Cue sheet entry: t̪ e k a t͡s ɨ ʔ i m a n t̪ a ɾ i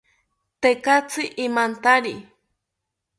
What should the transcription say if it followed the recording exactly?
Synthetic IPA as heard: t̪ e k a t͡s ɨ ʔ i m a n t̪ a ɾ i